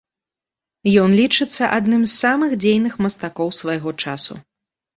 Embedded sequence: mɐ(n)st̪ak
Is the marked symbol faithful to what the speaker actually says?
no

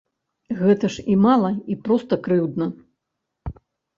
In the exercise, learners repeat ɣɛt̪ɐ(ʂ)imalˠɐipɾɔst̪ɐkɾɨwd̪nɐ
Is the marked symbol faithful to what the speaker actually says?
yes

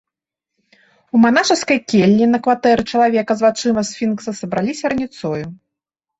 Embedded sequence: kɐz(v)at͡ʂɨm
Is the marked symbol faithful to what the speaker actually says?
yes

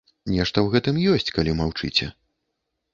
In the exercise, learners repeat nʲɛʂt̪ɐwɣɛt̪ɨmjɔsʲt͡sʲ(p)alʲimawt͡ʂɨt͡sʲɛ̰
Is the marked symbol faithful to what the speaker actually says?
no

